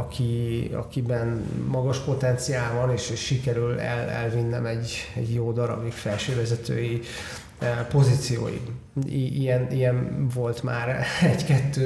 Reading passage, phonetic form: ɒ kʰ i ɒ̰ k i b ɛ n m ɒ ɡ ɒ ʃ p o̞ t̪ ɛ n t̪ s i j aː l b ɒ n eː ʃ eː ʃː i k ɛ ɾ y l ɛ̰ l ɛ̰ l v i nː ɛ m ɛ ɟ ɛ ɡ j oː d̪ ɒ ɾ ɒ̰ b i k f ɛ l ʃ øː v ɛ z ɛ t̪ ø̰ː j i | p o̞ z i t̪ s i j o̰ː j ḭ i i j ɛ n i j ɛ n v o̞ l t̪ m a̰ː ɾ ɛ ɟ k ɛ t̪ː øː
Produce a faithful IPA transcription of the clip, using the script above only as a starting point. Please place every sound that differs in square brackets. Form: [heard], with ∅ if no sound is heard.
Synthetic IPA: ɒ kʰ i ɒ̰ k i b ɛ n m ɒ ɡ ɒ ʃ p o̞ t̪ ɛ n t̪ s i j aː l [v] ɒ n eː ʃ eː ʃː i k ɛ ɾ y l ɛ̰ l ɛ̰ l v i nː ɛ m ɛ ɟ ɛ [ɟ] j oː d̪ ɒ ɾ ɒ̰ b i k f ɛ l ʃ øː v ɛ z ɛ t̪ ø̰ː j i | p o̞ z i t̪ s i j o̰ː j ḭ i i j ɛ n i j ɛ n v o̞ l t̪ m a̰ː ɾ ɛ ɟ k ɛ t̪ː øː